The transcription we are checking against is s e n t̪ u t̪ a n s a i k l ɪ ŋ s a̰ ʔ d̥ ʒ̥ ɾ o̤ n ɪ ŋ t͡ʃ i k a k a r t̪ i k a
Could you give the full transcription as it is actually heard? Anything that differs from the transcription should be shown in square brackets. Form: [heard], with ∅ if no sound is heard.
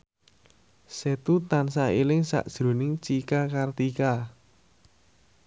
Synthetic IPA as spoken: s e [∅] t̪ u t̪ a n s a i [∅] l ɪ ŋ s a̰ ʔ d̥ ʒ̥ ɾ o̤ n ɪ ŋ t͡ʃ i k a k a r t̪ i k a